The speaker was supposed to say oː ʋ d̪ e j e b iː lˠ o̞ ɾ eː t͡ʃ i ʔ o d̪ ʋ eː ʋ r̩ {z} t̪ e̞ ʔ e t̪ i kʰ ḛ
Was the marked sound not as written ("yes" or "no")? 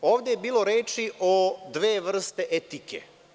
yes